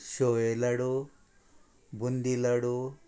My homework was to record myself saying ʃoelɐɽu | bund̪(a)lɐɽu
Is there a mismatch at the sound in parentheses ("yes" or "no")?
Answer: yes